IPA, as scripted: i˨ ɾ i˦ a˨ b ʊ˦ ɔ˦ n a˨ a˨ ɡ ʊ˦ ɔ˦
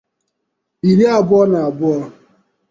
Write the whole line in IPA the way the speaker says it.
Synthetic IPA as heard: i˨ ɾ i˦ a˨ b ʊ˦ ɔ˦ n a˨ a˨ b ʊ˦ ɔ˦